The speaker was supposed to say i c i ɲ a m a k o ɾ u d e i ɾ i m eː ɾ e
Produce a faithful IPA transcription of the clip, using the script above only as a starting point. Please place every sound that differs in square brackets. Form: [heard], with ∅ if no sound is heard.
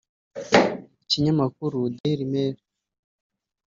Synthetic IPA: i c i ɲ a m a k [u] ɾ u d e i ɾ i m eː ɾ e